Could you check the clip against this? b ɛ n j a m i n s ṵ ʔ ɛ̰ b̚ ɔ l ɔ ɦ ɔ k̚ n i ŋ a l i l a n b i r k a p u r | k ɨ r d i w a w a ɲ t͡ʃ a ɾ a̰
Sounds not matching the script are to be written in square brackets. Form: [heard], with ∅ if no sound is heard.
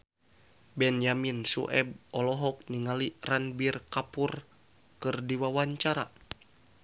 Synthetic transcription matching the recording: b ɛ n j a m i n s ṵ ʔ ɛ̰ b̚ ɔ l ɔ ɦ ɔ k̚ n i ŋ a l i [r] a n b i r k a p u r | k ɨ r d i w a w a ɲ t͡ʃ a ɾ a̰